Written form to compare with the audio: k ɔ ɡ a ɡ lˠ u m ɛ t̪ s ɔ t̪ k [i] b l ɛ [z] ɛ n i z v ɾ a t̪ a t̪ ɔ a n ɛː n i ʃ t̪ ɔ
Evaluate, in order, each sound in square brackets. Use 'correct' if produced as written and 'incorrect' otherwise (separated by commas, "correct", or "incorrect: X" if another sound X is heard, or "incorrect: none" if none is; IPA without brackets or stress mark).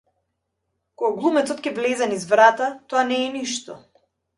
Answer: incorrect: ɛ, correct